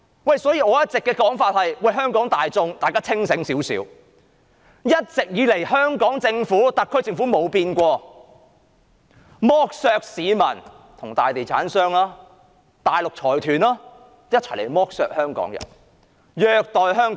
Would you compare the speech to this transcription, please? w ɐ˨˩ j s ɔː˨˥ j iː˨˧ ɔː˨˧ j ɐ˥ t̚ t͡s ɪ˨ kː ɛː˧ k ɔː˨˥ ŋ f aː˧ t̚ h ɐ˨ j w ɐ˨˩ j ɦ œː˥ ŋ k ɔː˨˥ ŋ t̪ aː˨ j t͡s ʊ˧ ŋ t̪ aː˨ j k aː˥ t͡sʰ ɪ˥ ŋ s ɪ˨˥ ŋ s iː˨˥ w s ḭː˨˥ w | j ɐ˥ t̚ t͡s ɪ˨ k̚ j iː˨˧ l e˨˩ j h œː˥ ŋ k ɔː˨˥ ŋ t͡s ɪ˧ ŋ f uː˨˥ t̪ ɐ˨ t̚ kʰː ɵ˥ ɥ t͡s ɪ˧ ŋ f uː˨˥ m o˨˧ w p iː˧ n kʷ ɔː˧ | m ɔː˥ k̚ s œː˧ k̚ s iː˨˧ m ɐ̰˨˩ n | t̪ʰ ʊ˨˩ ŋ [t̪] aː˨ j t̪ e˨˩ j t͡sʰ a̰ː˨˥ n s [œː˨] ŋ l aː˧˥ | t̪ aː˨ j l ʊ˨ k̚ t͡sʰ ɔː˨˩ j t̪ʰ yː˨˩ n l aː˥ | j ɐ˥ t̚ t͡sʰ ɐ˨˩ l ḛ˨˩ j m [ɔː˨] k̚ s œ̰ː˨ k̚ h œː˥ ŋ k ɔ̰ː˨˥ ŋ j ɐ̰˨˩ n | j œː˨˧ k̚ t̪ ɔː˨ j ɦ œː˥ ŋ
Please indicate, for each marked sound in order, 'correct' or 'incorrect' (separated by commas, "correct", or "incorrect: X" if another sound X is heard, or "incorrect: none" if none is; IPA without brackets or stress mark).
correct, incorrect: œː˥, incorrect: ɔː˥